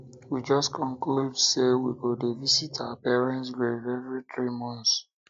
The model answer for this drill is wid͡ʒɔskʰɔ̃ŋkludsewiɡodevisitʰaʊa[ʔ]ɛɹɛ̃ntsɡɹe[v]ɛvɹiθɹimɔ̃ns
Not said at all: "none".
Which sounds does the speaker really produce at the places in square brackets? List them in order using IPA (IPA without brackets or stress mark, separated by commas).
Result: p, v